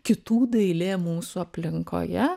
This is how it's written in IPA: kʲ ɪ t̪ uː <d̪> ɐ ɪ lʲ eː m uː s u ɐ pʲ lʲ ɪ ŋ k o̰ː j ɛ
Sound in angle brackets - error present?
no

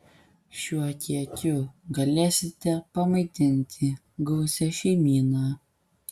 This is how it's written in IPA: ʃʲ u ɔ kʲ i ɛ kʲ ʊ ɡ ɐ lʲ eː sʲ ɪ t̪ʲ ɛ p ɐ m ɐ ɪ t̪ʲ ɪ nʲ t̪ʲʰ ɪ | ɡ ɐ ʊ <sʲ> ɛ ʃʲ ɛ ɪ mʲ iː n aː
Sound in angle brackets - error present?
no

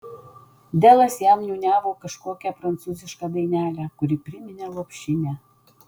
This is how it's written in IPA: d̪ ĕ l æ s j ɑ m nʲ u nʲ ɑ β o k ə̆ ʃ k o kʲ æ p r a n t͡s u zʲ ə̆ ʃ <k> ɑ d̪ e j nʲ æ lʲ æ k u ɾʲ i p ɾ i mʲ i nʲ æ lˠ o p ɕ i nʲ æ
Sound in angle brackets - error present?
no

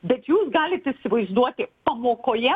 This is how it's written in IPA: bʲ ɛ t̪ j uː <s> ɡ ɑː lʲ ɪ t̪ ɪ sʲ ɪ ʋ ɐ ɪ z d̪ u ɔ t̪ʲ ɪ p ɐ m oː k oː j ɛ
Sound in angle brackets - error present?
no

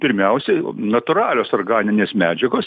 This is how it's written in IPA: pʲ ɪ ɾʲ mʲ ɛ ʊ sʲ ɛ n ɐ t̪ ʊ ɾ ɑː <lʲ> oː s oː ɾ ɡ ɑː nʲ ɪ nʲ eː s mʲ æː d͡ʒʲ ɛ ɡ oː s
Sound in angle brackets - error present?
no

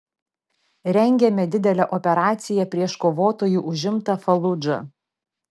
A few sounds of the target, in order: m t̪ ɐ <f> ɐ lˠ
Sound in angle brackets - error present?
no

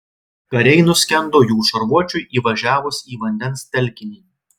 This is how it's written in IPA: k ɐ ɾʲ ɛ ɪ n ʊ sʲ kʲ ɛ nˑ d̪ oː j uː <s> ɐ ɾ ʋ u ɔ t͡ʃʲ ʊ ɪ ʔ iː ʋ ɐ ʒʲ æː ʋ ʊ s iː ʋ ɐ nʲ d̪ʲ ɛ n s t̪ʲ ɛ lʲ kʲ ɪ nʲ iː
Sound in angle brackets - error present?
yes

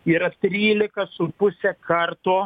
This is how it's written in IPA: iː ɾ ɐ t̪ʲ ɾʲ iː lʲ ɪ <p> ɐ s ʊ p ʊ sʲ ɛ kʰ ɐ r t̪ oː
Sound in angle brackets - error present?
yes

